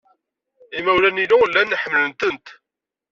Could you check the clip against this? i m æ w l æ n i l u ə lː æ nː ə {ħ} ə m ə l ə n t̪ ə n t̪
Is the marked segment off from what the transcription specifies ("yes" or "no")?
no